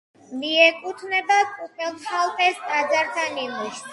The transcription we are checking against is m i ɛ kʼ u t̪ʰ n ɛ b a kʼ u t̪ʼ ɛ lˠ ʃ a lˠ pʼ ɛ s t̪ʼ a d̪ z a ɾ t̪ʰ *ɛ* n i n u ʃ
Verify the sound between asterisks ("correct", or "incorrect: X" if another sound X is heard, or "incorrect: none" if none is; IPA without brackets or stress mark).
incorrect: a